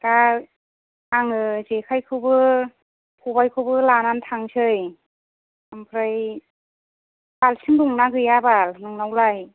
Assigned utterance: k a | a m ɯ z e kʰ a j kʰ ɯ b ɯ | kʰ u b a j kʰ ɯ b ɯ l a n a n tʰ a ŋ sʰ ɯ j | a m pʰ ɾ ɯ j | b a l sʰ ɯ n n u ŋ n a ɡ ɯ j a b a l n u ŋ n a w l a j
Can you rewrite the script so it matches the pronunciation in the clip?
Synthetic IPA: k a | a ŋ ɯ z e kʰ a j kʰ ɯ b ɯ | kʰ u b a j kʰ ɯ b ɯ l a n a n tʰ a ŋ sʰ ɯ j | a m pʰ ɾ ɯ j | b a l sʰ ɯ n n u ŋ n a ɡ ɯ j a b a l n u ŋ n a w l a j